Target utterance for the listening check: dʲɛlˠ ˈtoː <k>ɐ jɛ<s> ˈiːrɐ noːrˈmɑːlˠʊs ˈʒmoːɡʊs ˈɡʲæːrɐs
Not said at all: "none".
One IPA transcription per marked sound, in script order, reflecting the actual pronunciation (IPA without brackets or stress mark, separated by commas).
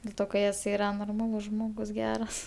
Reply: k, s